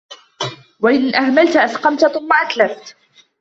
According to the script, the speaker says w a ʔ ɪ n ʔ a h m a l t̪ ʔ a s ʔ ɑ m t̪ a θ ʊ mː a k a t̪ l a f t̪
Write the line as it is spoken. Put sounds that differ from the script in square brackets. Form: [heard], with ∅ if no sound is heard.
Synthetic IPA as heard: w a ʔ ɪ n ʔ a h m a l t̪ ʔ a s [q] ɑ m t̪ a θ ʊ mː a [ʔ] a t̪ l a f t̪